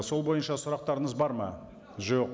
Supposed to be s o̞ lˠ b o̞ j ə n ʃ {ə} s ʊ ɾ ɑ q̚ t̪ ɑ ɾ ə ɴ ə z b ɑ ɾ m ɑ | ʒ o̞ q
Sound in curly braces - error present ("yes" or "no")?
yes